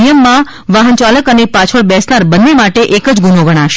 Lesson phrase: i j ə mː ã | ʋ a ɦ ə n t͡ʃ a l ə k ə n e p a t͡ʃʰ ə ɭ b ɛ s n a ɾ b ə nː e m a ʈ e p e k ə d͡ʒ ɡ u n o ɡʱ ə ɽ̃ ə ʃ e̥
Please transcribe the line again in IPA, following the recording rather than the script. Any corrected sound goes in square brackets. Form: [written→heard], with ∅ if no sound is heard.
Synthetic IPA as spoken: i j ə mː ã | ʋ a ɦ ə n t͡ʃ a l ə k ə n e p a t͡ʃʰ ə ɭ b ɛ s n a ɾ b ə nː e m a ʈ e [p→ʔ] e k ə d͡ʒ ɡ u n o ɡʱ ə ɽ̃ [ə→a] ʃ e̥

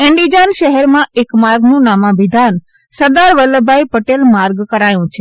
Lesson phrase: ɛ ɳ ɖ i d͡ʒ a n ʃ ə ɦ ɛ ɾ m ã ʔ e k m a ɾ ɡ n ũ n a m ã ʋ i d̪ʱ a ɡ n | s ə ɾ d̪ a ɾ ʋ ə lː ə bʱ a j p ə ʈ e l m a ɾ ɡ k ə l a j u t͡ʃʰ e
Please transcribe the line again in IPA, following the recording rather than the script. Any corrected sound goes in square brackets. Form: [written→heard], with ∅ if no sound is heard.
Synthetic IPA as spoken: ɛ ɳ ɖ i d͡ʒ a n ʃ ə ɦ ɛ ɾ m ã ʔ e k m a ɾ ɡ n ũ n a m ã ʋ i d̪ʱ a [ɡ→∅] n | s ə ɾ d̪ a ɾ ʋ ə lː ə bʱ a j p ə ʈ e l m a ɾ ɡ k ə [l→ɾ] a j [u→ũ] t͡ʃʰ e

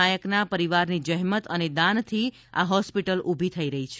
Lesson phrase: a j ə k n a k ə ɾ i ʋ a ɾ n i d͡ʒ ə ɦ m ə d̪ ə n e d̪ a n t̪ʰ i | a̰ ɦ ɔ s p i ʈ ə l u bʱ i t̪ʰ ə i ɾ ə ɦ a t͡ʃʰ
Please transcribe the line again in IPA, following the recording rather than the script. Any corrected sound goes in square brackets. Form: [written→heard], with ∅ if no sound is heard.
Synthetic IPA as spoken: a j ə k n a [k→p] ə ɾ i ʋ a ɾ n i d͡ʒ ə ɦ m ə [d̪→t̪] ə n e d̪ a n t̪ʰ i | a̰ ɦ ɔ s p i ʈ ə l u bʱ i t̪ʰ ə i ɾ ə ɦ [a→i] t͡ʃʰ

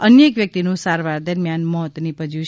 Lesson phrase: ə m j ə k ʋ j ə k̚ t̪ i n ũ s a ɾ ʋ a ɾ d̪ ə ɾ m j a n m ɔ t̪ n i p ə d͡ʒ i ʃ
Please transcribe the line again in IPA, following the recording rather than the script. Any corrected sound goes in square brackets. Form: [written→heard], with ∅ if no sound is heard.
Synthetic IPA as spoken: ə [m→n] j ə k ʋ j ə k̚ t̪ i n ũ s a ɾ ʋ a ɾ d̪ ə ɾ m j a n m ɔ t̪ n i p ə d͡ʒ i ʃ

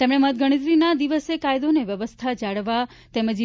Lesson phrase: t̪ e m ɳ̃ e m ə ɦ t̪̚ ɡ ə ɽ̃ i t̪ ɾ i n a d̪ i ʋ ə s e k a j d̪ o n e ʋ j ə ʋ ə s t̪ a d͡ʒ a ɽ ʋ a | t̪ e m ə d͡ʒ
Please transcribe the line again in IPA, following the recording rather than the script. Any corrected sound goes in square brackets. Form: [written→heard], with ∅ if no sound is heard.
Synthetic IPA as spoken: t̪ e m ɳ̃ e m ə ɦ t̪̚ ɡ ə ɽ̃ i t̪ ɾ i n a d̪ i ʋ ə s e k a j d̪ o n e ʋ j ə ʋ ə s [t̪→t̪ʰ] a d͡ʒ a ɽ ʋ a | t̪ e m ə d͡ʒ

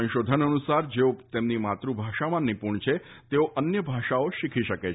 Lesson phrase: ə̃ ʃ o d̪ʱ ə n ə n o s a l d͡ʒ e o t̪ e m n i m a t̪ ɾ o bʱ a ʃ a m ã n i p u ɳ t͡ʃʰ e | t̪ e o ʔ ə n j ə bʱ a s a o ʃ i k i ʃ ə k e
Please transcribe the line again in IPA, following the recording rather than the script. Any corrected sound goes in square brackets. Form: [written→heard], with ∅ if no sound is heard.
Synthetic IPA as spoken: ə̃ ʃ o d̪ʱ ə n ə n [o→u] s a [l→ɾ] d͡ʒ e o t̪ e m n i m a t̪ ɾ [o→u] bʱ a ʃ a m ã n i p u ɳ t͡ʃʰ e | t̪ e o ʔ ə n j ə bʱ a [s→ʃ] a o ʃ i [k→kʰ] i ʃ ə k e

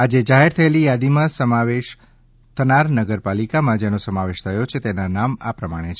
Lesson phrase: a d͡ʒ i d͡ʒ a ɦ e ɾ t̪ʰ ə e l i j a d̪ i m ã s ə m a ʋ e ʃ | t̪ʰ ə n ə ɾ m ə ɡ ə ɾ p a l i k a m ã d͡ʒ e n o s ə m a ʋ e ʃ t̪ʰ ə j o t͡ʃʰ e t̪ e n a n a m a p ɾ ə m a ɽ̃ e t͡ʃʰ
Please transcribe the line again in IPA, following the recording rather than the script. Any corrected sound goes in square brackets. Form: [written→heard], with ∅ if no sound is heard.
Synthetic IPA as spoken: a d͡ʒ [i→e] d͡ʒ a ɦ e ɾ t̪ʰ ə e l i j a d̪ i m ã s ə m a ʋ e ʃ | t̪ʰ ə n [ə→a] ɾ [m→n] ə ɡ ə ɾ p a l i k a m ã d͡ʒ e n o s ə m a ʋ e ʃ t̪ʰ ə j o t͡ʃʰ e t̪ e n a n a m a p ɾ ə m a ɽ̃ e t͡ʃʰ

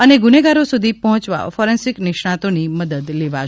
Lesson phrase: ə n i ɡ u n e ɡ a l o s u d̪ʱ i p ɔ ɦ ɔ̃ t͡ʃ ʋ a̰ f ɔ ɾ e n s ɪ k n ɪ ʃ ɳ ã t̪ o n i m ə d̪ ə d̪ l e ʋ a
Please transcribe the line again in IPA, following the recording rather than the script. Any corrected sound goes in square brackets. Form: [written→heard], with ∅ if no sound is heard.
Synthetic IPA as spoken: ə n [i→e] ɡ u n e ɡ a [l→ɾ] o s u d̪ʱ i p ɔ ɦ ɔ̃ t͡ʃ ʋ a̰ f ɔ ɾ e n s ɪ k n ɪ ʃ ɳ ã t̪ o n i m ə d̪ ə d̪ l e ʋ a

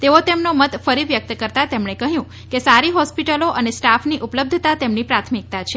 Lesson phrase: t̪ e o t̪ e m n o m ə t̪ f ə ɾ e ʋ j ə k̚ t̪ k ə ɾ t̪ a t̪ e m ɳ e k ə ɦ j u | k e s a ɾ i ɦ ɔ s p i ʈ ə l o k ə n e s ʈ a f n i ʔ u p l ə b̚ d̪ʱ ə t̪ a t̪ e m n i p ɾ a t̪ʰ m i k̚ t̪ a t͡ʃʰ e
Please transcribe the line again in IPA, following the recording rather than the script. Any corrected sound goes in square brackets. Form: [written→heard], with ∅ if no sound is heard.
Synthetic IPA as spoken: t̪ e o t̪ e m n o m ə t̪ f ə ɾ [e→i] ʋ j ə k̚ t̪ k ə ɾ t̪ a t̪ e m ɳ e k ə ɦ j [u→ũ] | k e s a ɾ i ɦ ɔ s p i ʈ ə l o [k→ʔ] ə n e s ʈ a f n i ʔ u p l ə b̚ d̪ʱ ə t̪ a t̪ e m n i p ɾ a t̪ʰ m i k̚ t̪ a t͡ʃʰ e

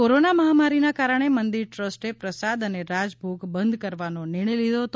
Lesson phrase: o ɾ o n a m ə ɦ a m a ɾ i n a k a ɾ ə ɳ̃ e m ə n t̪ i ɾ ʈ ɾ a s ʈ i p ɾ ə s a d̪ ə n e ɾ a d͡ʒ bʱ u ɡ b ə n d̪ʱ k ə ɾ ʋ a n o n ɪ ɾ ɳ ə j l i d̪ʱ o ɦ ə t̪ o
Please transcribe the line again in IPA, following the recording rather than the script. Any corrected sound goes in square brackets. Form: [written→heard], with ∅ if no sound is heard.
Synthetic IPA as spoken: o ɾ o n a m ə ɦ a m a ɾ i n a k a ɾ ə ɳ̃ e m ə n [t̪→d̪] i ɾ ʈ ɾ [a→ə] s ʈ [i→e] p ɾ ə s a d̪ ə n e ɾ a d͡ʒ bʱ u ɡ b ə n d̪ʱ k ə ɾ ʋ a n o n ɪ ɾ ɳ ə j l i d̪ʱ o ɦ ə t̪ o

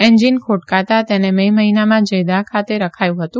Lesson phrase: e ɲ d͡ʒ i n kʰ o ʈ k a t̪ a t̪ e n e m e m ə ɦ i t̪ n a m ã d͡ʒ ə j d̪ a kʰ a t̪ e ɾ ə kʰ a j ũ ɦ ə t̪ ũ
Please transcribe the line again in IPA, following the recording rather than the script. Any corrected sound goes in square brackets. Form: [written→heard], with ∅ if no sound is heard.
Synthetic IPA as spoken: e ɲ d͡ʒ i n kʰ o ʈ k a t̪ a t̪ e n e m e m ə ɦ i [t̪→∅] n a m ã d͡ʒ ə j d̪ a kʰ a t̪ e ɾ ə kʰ a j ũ ɦ ə t̪ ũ

